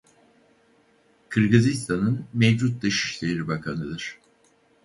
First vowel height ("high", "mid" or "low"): high